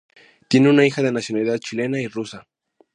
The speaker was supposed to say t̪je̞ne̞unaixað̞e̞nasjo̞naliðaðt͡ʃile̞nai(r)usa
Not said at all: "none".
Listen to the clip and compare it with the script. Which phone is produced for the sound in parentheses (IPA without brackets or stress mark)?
r